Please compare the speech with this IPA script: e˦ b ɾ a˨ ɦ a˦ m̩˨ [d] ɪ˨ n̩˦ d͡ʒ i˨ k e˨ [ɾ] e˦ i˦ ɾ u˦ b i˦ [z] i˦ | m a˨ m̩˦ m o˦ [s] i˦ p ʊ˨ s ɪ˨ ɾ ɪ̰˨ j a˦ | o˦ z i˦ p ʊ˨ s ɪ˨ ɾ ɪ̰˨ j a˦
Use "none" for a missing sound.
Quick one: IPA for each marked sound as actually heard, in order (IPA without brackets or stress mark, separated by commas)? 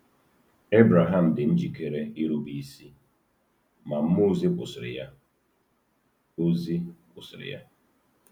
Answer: d, ɾ, s, z